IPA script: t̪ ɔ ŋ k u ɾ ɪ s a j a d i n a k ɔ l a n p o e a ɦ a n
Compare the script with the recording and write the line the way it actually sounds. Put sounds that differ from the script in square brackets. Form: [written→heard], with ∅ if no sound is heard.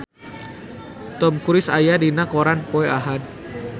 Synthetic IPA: t̪ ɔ [ŋ→m] k u ɾ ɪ s a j a d i n a k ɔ [l→ɾ] a n p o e a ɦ a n